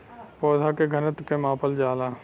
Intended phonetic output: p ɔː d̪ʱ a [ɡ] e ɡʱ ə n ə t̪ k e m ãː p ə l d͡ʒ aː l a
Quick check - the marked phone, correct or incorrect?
incorrect